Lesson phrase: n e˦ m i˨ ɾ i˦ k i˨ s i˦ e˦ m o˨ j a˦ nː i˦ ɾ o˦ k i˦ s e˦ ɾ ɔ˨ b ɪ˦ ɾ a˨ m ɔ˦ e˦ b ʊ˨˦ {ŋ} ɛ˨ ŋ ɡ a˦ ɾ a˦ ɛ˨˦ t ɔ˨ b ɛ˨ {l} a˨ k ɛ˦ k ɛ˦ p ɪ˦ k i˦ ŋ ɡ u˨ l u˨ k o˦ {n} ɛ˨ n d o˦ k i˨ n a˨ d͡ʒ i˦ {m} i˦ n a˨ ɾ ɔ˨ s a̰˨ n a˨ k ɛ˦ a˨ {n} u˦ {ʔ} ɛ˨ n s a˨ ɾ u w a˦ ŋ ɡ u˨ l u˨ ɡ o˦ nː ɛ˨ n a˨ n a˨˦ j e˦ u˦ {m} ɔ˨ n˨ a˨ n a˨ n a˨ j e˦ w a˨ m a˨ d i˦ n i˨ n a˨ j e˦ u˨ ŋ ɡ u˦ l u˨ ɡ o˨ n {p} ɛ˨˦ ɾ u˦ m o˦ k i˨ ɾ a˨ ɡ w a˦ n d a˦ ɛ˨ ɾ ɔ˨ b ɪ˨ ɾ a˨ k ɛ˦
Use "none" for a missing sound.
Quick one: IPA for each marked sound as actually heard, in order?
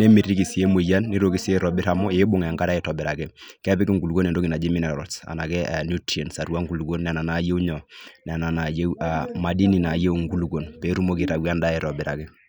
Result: ŋ, ɾ, n, m, n, t, ɲ, p

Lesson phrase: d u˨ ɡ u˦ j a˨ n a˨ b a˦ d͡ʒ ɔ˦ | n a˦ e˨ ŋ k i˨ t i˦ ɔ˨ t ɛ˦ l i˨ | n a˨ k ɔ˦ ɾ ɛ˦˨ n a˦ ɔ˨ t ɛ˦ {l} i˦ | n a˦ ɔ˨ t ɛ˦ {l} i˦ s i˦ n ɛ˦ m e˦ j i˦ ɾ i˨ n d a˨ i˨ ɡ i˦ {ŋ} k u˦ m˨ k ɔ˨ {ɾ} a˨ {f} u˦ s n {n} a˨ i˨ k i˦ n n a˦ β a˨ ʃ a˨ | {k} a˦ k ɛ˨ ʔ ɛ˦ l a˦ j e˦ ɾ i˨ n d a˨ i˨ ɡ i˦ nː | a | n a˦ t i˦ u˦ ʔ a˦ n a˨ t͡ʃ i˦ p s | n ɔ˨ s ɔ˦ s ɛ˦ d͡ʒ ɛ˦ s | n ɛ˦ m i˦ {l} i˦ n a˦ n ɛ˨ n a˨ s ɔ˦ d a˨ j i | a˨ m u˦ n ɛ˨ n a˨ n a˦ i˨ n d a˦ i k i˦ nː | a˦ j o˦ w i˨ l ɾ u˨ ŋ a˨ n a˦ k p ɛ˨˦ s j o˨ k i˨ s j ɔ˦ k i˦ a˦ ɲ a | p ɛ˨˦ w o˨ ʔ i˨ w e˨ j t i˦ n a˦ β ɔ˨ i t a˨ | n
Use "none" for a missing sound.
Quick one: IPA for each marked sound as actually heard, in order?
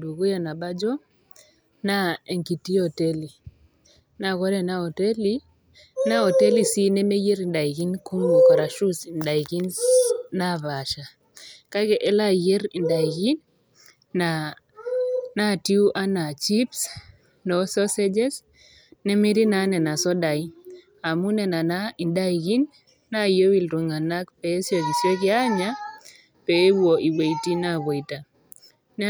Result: l, l, n, ɾ, ʃ, d, k, ɾ

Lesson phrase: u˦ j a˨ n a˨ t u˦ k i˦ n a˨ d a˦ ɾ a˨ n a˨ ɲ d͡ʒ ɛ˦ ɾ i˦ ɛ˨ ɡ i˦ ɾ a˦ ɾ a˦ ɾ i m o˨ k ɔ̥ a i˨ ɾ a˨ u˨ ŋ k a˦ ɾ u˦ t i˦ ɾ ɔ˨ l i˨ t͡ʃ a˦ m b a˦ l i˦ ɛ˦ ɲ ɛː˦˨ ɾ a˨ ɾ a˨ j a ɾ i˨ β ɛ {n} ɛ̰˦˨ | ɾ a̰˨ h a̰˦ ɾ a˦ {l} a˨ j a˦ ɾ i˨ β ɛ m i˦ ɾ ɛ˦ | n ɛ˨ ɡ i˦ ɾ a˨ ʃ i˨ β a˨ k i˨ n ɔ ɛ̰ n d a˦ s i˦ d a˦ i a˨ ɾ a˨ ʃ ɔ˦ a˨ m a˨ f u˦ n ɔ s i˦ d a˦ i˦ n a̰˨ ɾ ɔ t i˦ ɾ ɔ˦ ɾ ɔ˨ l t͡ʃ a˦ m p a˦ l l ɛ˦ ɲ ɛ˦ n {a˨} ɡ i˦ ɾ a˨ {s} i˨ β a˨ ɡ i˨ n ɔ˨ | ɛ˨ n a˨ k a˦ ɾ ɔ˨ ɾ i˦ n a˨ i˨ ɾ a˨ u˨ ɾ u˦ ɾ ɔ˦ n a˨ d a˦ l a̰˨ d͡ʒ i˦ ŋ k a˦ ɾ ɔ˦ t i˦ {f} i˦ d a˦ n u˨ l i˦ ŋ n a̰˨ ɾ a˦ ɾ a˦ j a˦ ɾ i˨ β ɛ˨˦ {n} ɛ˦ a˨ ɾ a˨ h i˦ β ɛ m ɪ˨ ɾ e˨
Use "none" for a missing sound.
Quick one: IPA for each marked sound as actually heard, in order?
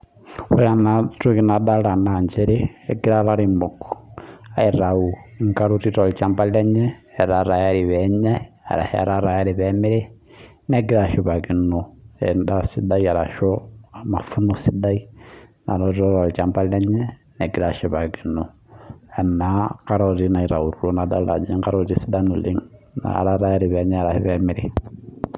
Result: ɲ, ɾ, ɛ˨, ʃ, s, ɲ

